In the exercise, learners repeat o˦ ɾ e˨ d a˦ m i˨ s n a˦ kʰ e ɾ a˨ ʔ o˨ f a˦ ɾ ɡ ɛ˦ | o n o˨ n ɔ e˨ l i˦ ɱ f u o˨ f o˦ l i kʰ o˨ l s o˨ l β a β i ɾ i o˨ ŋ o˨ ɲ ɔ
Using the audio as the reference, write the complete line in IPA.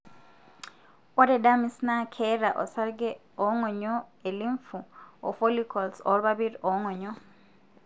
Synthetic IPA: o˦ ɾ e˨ d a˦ m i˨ s n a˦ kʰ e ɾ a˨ ʔ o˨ s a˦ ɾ ɡ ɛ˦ | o ŋ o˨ ɲ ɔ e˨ l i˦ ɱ f u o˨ f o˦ l i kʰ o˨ l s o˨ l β a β i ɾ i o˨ ŋ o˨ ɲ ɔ